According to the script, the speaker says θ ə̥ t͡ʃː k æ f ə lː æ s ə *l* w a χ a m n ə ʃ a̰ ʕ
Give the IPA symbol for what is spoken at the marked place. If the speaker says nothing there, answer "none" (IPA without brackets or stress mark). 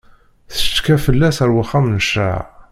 ɾ